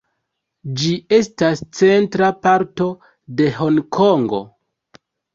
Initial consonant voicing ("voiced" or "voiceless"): voiced